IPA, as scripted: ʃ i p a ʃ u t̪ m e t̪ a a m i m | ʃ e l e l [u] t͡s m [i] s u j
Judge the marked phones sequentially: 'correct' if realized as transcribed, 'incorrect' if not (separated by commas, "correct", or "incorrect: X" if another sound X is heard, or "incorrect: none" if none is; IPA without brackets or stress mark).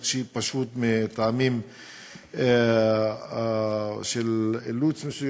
correct, incorrect: e